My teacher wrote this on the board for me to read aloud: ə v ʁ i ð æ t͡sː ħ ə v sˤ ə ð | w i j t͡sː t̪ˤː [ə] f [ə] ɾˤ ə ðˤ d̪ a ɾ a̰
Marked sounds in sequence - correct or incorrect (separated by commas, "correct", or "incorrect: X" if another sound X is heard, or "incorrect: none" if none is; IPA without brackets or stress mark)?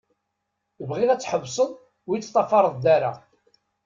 incorrect: ɑ, incorrect: ɑ